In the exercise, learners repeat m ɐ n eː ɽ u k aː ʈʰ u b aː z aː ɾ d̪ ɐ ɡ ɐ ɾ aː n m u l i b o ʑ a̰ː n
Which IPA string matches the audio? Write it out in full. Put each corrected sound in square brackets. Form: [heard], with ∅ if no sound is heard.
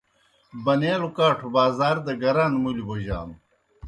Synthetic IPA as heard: [b] ɐ n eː [ɾ] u k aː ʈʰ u b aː z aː ɾ d̪ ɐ ɡ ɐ ɾ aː n m u l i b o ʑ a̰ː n